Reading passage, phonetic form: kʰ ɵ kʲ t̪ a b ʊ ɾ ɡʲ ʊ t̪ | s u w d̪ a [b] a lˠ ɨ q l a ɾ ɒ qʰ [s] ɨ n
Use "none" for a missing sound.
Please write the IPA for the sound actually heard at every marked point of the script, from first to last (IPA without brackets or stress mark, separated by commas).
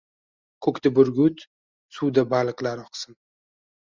b, s